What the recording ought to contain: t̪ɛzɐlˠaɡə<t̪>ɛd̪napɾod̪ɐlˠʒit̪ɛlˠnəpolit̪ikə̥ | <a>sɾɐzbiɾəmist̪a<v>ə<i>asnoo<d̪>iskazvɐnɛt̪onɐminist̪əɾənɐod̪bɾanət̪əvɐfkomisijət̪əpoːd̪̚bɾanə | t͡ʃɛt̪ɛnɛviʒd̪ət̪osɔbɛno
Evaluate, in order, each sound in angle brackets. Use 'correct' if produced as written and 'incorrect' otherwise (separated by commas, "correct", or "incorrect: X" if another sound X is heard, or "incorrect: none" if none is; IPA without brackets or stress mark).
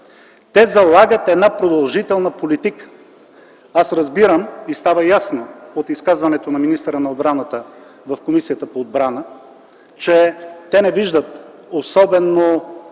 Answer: correct, correct, correct, incorrect: j, incorrect: t̪